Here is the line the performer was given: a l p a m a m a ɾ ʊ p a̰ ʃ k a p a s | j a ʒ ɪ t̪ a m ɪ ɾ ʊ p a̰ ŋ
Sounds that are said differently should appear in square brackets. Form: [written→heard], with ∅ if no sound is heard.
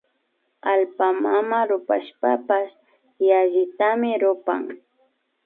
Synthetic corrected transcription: a l p a m a m a ɾ ʊ p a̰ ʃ [k→p] a p a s | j a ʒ ɪ t̪ a m ɪ ɾ ʊ p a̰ ŋ